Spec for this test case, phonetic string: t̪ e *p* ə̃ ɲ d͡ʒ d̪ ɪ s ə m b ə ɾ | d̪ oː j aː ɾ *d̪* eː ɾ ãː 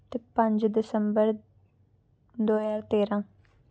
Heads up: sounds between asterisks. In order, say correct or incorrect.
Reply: correct, incorrect: t̪

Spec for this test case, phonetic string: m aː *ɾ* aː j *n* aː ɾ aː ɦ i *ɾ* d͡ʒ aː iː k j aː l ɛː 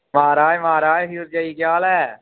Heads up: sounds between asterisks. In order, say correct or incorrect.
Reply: correct, incorrect: m, correct

